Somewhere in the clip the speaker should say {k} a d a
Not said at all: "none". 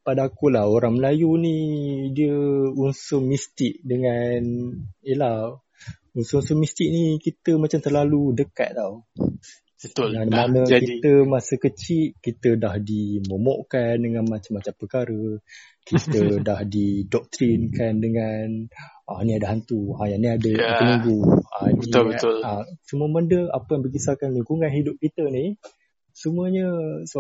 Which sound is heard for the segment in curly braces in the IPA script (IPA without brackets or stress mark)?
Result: p